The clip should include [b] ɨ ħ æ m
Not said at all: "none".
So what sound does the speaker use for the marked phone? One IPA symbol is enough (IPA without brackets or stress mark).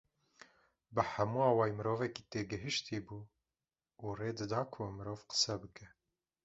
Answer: b